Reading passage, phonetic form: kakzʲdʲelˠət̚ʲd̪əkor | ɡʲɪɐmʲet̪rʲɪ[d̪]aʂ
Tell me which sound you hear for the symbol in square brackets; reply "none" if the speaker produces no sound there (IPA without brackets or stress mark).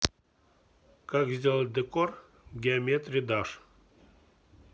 d̪